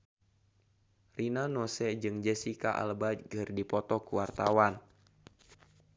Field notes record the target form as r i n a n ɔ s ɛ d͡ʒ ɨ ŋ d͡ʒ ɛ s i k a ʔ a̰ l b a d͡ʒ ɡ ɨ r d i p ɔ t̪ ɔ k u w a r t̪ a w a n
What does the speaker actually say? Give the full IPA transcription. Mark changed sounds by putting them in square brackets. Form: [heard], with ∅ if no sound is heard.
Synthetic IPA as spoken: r i n a n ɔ s ɛ d͡ʒ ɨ ŋ d͡ʒ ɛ s i k a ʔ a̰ l b a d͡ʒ ɡ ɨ r d i p ɔ t̪ ɔ k u w a r t̪ a w a n